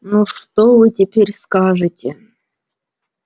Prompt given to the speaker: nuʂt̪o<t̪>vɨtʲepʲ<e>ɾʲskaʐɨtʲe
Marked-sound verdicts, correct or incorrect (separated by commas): incorrect, correct